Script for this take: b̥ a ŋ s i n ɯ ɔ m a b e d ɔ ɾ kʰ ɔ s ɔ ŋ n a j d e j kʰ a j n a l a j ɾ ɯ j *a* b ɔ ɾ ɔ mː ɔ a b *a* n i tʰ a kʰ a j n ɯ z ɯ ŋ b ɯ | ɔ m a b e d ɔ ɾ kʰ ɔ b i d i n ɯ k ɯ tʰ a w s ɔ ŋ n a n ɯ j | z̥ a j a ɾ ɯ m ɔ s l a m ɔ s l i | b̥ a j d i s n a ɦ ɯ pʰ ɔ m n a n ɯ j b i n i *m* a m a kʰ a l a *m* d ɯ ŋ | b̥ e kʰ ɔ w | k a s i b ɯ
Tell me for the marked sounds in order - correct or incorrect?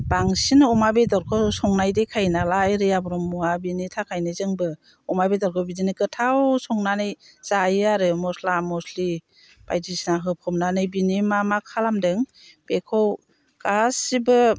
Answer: correct, incorrect: i, correct, correct

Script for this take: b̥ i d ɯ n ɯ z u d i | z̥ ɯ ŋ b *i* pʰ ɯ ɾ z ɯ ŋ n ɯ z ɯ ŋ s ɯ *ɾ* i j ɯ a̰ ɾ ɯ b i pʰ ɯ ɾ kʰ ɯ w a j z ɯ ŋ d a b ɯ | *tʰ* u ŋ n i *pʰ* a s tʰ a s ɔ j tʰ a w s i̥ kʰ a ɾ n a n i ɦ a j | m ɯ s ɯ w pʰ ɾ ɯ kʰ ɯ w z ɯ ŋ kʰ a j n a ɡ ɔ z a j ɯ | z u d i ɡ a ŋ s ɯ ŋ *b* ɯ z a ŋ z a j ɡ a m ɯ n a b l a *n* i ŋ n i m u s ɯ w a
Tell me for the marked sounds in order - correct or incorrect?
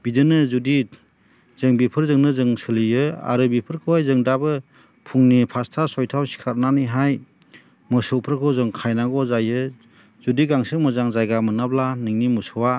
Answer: correct, incorrect: l, incorrect: pʰ, correct, incorrect: m, correct

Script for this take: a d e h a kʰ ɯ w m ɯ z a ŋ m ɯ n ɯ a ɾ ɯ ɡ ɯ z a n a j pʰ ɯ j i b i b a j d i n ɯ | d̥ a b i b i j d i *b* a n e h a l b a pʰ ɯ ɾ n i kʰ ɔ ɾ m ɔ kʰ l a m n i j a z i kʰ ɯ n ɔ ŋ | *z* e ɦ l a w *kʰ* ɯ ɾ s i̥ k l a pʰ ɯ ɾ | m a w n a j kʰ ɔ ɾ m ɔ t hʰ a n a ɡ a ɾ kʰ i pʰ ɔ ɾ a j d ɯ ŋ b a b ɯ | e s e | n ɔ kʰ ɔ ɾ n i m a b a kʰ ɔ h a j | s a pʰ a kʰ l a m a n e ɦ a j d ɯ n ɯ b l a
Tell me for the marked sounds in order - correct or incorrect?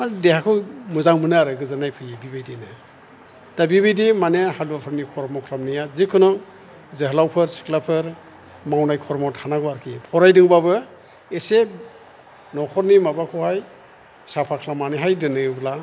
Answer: incorrect: m, correct, incorrect: pʰ

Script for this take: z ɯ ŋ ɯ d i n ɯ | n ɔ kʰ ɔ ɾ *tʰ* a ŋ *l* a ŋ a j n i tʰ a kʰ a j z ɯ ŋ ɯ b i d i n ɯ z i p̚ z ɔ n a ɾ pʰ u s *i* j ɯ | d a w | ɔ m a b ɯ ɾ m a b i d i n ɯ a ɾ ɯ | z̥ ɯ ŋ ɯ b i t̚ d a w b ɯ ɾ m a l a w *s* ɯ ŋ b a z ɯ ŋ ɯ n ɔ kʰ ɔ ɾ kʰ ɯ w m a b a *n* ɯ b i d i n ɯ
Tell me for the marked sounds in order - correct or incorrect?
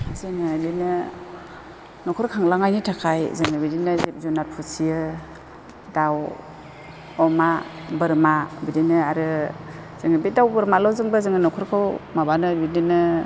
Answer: incorrect: kʰ, correct, correct, incorrect: z, correct

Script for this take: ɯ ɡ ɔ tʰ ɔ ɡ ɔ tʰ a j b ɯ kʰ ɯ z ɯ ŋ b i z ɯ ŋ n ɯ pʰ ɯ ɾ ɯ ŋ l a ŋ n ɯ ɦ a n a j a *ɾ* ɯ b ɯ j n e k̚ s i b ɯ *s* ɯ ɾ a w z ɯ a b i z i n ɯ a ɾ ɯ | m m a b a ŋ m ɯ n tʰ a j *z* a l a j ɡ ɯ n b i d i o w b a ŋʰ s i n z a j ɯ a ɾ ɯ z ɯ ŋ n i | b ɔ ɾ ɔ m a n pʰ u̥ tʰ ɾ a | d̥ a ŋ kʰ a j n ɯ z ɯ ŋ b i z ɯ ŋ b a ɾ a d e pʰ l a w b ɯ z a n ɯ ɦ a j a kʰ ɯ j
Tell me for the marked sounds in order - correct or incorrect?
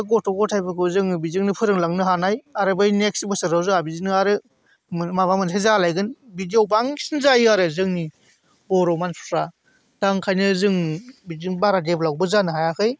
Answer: correct, correct, correct

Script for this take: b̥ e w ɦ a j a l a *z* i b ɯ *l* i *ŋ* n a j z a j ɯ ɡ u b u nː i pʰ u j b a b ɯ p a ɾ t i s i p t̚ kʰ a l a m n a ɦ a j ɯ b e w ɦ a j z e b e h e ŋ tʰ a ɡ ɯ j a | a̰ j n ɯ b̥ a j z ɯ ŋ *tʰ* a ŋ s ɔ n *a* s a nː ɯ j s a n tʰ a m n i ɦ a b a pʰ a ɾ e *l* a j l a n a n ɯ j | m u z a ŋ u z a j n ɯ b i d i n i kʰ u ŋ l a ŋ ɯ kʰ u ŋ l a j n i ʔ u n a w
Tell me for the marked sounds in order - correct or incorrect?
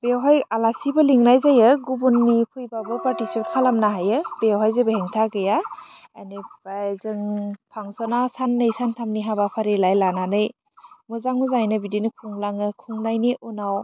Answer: incorrect: s, correct, correct, incorrect: pʰ, correct, correct

